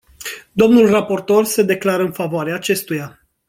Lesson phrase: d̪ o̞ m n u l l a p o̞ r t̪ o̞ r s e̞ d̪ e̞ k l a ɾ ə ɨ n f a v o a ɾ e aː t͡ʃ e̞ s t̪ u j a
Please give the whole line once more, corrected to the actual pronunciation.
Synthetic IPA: d̪ o̞ m n u l r a p o̞ r t̪ o̞ r s e̞ d̪ e̞ k l a ɾ ə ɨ n f a v o a ɾ e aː t͡ʃ e̞ s t̪ u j a